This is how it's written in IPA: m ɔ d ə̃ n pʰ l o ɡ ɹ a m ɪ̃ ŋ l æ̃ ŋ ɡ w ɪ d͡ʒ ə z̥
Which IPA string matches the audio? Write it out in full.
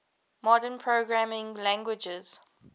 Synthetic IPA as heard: m ɔ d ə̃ n pʰ ɹ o ɡ ɹ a m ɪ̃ ŋ l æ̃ ŋ ɡ w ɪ d͡ʒ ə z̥